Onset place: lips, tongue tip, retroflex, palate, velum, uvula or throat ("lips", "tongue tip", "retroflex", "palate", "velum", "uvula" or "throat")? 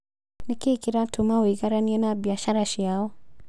tongue tip